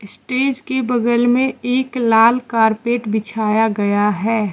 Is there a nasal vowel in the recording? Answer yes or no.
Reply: yes